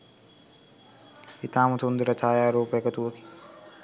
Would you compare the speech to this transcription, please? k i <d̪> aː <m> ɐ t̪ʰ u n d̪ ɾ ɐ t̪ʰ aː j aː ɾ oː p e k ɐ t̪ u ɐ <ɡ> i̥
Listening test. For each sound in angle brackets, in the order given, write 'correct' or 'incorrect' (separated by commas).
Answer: incorrect, correct, incorrect